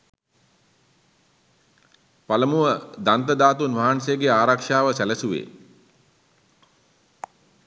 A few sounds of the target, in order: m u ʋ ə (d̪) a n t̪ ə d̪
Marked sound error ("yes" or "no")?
no